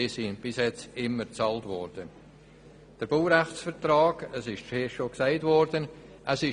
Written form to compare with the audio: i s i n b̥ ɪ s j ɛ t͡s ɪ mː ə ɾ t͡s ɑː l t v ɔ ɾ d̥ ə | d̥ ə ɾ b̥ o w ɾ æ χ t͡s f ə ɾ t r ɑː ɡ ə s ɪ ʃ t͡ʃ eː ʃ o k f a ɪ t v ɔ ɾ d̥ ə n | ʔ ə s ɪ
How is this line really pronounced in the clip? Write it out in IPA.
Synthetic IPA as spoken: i s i n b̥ ɪ s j ɛ t͡s ɪ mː ə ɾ t͡s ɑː l t v ɔ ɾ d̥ ə | d̥ ə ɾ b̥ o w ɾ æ χ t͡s f ə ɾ t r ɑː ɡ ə s ɪ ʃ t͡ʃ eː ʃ o k s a ɪ t v ɔ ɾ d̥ ə n | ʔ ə s ɪ